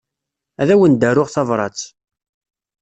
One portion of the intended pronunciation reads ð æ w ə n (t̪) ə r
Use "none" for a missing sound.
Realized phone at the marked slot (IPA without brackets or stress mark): d̪